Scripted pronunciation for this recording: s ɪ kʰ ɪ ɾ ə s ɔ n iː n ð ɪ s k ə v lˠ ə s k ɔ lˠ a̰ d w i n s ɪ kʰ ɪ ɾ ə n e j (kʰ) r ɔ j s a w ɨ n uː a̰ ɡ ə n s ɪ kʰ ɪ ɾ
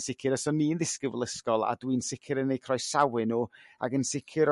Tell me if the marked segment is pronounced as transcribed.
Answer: yes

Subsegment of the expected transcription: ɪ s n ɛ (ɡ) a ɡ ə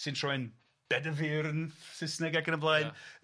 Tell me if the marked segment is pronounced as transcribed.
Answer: yes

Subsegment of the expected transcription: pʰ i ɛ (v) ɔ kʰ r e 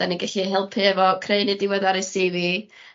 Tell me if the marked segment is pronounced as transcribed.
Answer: yes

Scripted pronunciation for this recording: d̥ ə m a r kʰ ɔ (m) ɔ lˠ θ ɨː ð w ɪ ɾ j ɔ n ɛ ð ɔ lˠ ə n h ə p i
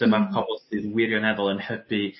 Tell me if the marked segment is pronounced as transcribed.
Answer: no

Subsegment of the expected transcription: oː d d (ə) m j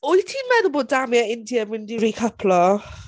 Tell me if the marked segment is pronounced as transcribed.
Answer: no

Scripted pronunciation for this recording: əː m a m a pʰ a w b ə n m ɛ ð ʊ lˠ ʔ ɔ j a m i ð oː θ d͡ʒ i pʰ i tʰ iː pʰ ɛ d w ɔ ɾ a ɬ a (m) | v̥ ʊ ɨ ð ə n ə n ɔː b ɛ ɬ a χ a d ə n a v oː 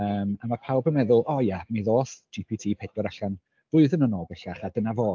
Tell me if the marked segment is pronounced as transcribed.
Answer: no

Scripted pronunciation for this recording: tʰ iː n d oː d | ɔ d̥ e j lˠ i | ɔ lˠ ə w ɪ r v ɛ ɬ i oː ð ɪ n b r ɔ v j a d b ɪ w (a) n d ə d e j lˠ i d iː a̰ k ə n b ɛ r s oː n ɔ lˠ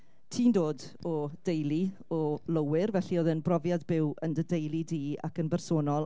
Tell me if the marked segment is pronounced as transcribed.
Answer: no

